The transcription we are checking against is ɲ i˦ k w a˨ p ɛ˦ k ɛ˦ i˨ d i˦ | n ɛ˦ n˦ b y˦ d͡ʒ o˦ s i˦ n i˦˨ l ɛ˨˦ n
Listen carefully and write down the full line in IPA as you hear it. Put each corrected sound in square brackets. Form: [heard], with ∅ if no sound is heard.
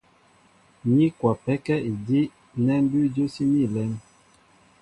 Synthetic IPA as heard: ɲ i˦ k w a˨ p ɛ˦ k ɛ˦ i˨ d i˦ | n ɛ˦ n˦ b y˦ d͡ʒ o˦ s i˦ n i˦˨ l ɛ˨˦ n